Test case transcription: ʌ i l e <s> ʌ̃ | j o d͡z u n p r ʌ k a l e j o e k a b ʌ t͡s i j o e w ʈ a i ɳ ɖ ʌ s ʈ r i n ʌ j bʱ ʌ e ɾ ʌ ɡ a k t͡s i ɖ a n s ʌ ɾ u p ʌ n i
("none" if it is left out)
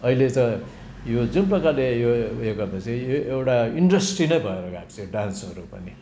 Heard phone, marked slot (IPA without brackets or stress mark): t͡s